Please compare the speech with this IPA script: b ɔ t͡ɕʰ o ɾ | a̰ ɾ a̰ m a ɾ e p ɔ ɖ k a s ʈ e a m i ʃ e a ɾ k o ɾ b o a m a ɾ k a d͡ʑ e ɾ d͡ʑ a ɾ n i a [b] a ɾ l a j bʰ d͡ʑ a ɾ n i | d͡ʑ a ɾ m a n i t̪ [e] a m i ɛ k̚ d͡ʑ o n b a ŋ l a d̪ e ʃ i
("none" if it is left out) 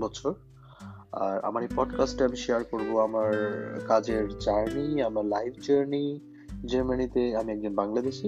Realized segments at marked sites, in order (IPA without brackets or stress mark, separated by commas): m, e